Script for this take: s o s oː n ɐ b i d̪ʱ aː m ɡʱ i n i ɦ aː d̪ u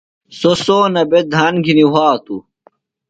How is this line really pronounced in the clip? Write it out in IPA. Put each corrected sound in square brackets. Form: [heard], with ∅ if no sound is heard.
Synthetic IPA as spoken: s o s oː n ɐ b [e] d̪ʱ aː [n] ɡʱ i n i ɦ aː [t̪] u